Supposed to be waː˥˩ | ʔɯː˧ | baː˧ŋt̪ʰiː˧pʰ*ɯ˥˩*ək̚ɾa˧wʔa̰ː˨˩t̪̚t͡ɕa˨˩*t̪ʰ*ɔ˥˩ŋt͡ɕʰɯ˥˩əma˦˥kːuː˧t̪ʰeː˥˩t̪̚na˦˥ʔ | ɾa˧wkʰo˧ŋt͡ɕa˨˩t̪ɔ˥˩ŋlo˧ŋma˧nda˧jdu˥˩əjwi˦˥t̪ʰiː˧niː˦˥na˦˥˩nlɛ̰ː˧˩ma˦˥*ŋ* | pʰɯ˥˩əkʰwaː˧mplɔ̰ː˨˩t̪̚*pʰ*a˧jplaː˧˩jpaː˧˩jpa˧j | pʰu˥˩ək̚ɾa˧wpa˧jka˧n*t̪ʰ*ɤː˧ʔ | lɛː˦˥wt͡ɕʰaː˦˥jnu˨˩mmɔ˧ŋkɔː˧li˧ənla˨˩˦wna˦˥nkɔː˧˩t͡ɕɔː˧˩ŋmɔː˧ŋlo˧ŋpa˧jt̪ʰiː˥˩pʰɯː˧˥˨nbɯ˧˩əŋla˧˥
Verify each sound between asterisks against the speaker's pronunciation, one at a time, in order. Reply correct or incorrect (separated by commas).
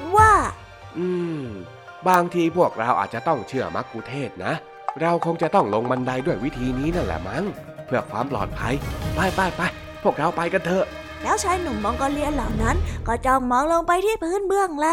incorrect, incorrect, correct, correct, correct